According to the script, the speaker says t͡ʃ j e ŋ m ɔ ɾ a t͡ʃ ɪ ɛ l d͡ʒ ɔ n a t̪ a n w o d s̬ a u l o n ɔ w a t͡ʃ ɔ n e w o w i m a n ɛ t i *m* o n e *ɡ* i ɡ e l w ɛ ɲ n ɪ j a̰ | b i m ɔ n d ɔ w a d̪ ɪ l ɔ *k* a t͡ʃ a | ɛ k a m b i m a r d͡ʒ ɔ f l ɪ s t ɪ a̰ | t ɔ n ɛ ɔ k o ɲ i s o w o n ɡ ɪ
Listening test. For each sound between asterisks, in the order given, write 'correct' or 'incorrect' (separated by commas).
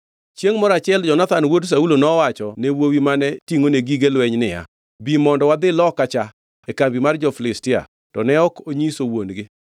incorrect, correct, correct